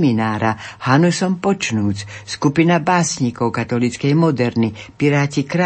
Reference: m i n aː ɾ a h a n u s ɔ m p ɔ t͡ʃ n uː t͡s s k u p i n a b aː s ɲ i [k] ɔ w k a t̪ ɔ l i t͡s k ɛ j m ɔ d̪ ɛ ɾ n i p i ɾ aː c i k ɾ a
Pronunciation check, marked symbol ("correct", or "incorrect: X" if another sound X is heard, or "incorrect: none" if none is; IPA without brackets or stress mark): correct